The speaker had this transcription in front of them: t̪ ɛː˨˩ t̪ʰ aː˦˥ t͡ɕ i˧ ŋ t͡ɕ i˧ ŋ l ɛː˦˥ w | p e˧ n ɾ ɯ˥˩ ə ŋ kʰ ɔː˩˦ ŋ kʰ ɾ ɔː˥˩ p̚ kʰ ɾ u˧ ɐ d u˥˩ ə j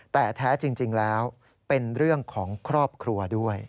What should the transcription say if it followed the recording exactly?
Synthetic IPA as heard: t̪ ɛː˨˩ t̪ʰ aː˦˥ t͡ɕ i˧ ŋ t͡ɕ i˧ ŋ l ɛː˦˥ w | p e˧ n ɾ ɯ˥˩ ə ŋ kʰ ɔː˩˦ ŋ kʰ ɾ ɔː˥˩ p̚ kʰ ɾ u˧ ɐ d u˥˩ ə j